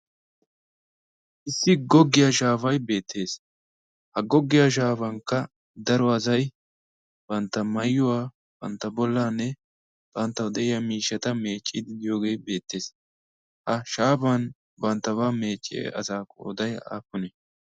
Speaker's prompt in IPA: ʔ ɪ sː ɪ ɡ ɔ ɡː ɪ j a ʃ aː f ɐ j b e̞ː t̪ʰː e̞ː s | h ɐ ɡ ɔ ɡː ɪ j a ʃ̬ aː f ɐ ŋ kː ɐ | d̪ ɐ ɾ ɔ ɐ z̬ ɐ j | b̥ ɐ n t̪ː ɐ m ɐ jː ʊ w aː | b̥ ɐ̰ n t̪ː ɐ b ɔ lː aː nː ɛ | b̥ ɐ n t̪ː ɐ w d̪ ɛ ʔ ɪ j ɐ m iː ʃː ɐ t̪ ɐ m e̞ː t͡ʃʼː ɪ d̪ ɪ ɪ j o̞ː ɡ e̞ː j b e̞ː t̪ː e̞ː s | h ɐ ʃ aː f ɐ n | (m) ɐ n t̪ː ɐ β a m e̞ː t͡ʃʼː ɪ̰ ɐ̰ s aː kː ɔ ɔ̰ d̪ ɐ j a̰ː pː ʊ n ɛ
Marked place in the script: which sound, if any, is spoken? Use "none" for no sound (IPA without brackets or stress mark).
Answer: b